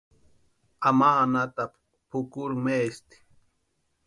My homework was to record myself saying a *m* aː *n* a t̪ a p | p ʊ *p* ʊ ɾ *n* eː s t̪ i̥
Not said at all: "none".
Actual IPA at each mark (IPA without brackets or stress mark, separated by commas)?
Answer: m, n, k, m